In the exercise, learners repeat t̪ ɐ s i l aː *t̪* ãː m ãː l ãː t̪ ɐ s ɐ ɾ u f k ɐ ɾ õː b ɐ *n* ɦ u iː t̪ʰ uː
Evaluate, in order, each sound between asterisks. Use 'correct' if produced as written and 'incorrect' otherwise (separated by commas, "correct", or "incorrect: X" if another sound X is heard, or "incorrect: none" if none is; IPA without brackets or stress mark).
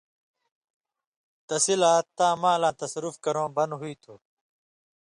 correct, correct